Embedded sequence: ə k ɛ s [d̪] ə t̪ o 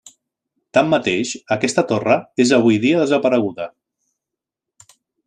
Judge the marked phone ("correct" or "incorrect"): incorrect